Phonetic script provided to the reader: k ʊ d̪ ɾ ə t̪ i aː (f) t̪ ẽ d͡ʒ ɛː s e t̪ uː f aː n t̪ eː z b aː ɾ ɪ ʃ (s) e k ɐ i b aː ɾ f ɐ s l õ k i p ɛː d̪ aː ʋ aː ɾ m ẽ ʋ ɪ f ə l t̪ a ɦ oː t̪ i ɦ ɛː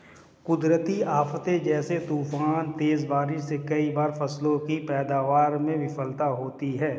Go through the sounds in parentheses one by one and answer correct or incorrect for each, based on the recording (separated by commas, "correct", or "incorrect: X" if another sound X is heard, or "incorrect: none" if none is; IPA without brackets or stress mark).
correct, correct